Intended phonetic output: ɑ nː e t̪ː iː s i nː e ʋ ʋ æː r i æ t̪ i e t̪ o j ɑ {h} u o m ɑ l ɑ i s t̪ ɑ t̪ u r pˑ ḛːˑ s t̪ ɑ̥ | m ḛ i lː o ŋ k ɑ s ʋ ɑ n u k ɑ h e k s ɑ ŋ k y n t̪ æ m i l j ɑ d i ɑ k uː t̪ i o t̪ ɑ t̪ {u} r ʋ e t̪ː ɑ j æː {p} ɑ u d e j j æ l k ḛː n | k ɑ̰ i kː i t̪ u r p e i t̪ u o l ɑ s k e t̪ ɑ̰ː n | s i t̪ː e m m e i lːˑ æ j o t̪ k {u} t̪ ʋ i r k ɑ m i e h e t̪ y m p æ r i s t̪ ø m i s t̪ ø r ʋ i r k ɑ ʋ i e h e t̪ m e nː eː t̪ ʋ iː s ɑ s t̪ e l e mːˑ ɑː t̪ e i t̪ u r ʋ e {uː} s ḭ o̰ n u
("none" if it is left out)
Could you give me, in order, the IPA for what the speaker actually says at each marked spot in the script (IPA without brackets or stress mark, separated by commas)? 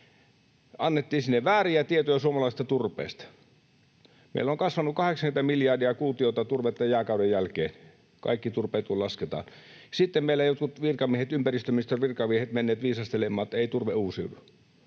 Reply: s, u, k, u, uː